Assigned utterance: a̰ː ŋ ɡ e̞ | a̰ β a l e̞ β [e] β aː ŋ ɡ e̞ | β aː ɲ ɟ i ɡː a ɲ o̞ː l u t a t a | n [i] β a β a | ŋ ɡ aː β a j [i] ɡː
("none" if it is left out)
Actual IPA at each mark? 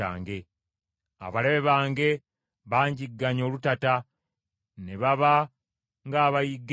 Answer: e, e, i

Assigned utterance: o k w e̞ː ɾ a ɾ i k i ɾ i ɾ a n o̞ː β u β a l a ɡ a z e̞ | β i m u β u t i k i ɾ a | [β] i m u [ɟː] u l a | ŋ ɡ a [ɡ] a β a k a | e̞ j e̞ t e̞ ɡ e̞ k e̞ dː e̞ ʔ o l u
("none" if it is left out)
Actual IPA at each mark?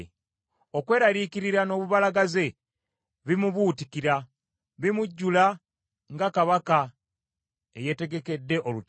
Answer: β, ɟː, k

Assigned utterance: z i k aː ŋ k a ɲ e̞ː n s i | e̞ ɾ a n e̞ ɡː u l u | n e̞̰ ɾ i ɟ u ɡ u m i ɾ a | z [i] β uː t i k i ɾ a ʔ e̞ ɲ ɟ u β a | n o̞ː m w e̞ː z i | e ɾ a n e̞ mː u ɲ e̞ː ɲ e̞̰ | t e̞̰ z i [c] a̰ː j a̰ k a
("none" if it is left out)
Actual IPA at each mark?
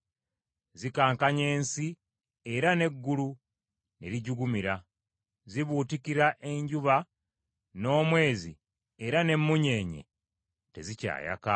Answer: i, c

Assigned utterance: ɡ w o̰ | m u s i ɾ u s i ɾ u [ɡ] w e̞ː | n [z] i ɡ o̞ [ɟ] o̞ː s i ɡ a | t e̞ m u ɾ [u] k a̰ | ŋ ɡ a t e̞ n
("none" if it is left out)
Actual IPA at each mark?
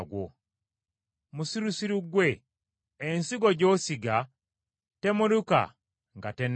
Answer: ɡ, s, ɟ, u

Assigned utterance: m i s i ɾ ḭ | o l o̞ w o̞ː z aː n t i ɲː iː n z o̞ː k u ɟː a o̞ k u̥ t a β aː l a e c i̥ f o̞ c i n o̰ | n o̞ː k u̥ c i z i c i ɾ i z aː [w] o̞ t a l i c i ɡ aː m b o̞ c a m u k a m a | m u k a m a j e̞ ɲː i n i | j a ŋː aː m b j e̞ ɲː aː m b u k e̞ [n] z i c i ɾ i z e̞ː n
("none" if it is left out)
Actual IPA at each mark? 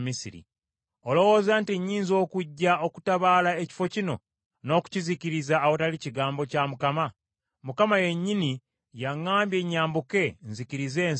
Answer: w, n

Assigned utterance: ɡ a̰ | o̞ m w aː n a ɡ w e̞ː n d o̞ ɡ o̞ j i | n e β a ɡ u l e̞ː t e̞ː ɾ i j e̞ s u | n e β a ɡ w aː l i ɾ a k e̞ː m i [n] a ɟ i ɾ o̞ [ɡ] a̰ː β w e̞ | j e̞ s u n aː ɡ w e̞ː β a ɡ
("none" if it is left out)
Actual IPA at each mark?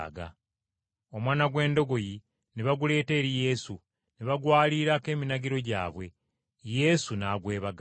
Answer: n, ɟ

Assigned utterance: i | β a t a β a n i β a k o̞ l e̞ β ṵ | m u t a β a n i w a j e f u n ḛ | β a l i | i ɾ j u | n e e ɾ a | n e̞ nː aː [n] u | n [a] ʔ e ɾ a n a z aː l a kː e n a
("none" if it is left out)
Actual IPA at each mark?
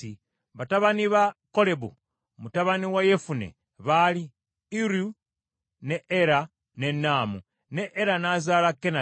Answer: m, e

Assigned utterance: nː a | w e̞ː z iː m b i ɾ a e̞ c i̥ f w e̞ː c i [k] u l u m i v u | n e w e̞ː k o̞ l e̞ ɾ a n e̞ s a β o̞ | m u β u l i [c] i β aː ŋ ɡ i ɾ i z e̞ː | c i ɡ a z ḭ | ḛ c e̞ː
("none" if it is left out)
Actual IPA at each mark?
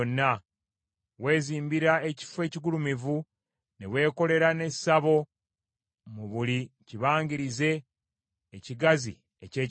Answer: ɡ, c

